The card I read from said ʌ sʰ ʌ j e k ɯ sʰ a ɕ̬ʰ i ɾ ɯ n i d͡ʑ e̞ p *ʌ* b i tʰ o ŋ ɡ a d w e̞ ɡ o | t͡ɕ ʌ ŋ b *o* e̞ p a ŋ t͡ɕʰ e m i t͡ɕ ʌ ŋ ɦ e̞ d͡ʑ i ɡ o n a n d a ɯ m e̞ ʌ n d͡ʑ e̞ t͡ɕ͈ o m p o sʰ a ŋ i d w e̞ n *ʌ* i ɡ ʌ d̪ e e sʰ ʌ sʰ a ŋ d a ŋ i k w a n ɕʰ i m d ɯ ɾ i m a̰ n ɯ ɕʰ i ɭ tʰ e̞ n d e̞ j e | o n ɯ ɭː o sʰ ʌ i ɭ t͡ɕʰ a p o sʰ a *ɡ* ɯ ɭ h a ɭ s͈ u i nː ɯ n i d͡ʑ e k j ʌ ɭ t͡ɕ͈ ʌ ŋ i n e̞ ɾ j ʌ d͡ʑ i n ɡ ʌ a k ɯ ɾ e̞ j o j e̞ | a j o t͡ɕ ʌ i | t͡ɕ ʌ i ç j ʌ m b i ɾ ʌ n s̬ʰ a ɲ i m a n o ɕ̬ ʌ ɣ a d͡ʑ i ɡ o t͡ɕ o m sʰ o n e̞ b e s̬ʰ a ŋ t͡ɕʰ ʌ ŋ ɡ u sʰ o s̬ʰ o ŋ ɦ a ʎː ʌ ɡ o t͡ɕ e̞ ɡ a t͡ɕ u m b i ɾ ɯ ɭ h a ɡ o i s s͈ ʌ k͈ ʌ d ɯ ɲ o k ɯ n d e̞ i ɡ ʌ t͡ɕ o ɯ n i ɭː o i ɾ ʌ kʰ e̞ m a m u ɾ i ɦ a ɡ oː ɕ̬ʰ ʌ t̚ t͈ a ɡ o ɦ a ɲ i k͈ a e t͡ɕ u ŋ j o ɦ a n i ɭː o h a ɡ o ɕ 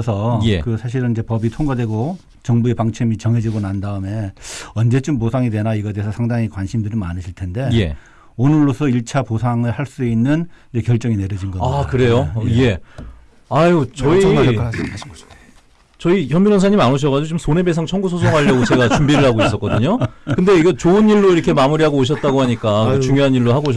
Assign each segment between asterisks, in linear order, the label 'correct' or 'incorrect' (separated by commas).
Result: correct, incorrect, incorrect, incorrect